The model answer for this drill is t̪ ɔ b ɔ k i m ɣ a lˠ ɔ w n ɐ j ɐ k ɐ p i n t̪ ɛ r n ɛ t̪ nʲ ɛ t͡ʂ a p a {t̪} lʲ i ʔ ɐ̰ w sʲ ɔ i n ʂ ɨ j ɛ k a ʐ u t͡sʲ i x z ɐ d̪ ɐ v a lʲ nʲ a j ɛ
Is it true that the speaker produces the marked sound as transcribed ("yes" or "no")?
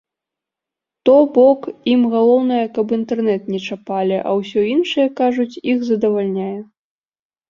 no